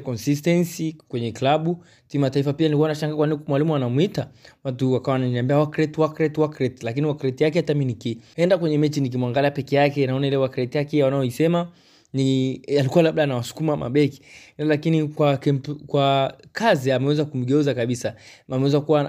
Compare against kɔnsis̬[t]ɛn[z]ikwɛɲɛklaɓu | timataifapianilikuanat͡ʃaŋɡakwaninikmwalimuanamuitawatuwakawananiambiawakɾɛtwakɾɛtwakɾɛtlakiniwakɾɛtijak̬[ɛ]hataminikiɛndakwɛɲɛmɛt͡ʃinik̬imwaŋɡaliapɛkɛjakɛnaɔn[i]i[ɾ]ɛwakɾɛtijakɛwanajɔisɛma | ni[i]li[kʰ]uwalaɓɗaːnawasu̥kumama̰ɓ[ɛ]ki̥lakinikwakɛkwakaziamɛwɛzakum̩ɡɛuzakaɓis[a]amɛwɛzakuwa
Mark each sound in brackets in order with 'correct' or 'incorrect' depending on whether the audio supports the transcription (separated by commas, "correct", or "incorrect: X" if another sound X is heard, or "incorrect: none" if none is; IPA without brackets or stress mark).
correct, incorrect: s, correct, incorrect: a, incorrect: l, incorrect: a, incorrect: k, correct, correct